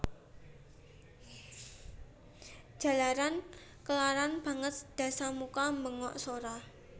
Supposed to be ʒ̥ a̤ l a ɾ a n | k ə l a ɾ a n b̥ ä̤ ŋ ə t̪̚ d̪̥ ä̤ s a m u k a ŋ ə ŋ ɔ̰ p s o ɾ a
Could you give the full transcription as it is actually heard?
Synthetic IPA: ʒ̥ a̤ l a ɾ a n | k ə l a ɾ a n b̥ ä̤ ŋ ə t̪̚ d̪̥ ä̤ s a m u k a m ə ŋ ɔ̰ ʔ s o ɾ a

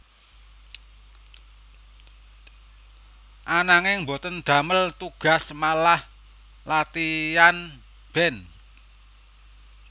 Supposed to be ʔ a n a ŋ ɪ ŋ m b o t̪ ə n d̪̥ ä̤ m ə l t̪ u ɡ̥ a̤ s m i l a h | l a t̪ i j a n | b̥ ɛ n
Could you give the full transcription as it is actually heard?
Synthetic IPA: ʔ a n a ŋ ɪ ŋ m b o t̪ ə n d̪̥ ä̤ m ə l t̪ u ɡ̥ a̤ s m a l a h | l a t̪ i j a n | b̥ ɛ n

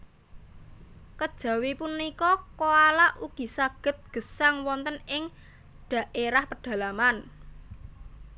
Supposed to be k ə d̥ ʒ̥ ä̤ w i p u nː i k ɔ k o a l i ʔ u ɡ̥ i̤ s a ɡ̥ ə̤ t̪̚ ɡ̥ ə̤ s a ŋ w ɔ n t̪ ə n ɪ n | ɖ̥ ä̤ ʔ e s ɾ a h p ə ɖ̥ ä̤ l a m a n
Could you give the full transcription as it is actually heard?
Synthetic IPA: k ə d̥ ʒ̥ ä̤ w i p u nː i k ɔ k o a l a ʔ u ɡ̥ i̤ s a ɡ̥ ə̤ t̪̚ ɡ̥ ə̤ s a ŋ w ɔ n t̪ ə n ɪ ŋ | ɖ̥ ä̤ ʔ e ɾ a h p ə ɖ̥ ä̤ l a m a n

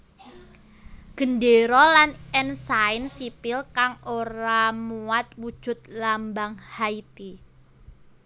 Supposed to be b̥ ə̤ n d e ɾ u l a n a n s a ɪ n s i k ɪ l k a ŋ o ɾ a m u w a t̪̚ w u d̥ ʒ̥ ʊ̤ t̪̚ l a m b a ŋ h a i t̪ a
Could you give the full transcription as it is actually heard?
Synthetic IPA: ɡ̥ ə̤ n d e ɾ ɔ l a n ɛ n s a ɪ n s i p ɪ l k a ŋ o ɾ a m u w a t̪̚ w u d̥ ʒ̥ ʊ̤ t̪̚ l a m b a ŋ h a i t̪ i

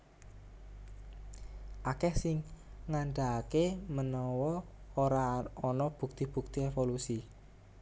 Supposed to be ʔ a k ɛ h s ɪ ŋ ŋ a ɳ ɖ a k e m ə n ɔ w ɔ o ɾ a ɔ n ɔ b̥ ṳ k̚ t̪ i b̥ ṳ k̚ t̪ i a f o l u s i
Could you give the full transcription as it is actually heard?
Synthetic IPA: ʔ a k ɛ h s ɪ ŋ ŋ a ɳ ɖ a k e m ə n ɔ w ɔ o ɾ a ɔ n ɔ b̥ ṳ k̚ t̪ i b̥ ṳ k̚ t̪ i e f o l u s i

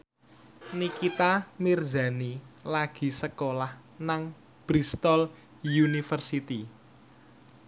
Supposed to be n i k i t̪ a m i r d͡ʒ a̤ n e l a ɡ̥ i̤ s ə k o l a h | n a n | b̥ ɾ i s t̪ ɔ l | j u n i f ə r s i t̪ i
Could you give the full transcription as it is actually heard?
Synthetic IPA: n i k i t̪ a m i r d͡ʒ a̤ n i l a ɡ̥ i̤ s ə k o l a h | n a ŋ | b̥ ɾ i s t̪ ɔ l | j u n i f ə r s i t̪ i

